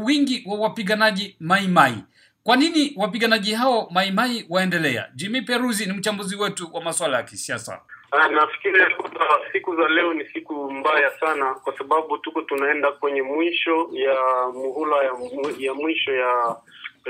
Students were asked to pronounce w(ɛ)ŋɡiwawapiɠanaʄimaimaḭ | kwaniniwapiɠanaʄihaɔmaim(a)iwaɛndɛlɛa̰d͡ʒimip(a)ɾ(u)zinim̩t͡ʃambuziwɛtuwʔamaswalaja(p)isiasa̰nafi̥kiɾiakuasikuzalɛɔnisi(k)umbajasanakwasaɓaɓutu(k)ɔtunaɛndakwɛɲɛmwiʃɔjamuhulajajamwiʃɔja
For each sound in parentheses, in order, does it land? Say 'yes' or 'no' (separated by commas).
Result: no, yes, no, yes, no, yes, yes